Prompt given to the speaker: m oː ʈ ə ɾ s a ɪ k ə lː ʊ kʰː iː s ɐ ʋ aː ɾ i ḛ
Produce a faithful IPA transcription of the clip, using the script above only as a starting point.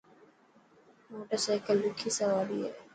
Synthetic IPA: m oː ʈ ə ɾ s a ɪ k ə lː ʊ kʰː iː s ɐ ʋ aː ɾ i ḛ